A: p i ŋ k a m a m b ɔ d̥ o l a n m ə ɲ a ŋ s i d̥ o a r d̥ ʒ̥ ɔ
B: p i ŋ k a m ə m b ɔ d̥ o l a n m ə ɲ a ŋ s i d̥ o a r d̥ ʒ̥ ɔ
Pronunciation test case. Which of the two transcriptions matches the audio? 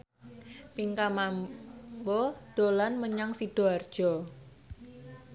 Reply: A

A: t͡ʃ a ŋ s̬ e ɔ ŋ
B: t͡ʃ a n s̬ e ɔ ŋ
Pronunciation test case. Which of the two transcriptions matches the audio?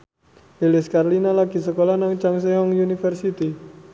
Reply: A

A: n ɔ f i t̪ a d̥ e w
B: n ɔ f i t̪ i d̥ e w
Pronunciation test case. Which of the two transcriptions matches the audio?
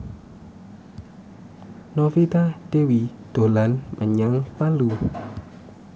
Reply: A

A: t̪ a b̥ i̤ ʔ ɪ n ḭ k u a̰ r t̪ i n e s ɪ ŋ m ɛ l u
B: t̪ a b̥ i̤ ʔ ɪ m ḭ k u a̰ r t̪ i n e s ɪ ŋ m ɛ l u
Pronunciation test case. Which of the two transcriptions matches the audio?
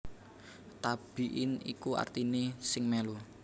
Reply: A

